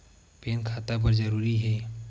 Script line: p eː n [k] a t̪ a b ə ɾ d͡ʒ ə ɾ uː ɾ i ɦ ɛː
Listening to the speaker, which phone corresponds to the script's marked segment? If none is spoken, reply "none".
kʰ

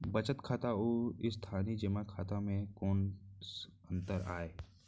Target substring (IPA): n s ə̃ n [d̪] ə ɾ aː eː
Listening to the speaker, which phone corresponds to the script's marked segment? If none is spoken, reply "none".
t̪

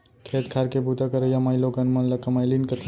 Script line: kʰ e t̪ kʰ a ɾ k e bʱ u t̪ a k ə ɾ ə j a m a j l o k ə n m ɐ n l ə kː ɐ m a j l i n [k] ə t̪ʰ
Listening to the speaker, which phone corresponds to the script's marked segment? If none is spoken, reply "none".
k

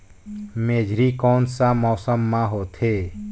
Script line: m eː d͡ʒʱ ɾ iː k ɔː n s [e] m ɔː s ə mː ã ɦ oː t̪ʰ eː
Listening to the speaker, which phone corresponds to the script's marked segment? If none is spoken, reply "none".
a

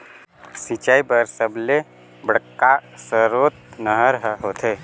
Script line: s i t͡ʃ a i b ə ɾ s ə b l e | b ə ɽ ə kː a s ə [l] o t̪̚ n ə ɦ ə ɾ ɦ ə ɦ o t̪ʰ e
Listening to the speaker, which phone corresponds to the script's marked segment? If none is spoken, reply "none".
ɾ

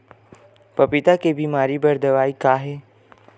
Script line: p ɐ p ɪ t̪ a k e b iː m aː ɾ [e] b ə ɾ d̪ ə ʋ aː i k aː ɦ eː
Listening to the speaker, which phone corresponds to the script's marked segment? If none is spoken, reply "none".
i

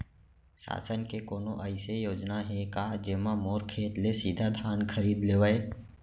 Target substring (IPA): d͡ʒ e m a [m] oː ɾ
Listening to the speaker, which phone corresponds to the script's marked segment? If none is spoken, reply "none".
m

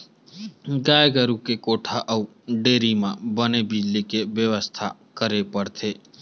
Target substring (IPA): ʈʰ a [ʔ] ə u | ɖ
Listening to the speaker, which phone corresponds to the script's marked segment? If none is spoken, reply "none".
ʔ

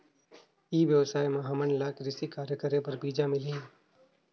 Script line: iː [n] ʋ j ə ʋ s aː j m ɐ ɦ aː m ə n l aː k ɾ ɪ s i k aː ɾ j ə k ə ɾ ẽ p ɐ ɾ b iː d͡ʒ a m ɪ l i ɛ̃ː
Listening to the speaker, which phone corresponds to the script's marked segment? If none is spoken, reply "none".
none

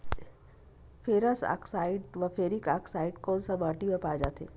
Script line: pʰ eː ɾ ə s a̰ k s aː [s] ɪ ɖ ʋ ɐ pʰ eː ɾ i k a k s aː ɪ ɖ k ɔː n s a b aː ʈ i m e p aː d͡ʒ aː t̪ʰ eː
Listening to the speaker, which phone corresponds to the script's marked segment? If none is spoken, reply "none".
none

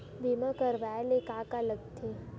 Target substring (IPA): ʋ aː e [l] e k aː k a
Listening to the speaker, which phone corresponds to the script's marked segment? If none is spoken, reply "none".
l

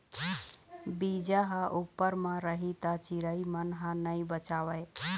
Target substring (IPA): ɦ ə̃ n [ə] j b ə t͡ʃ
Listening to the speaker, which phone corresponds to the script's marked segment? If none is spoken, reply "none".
ə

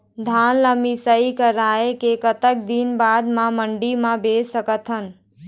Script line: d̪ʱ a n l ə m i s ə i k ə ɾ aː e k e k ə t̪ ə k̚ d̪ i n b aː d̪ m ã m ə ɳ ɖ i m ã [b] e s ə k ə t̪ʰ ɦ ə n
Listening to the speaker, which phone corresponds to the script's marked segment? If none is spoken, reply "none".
b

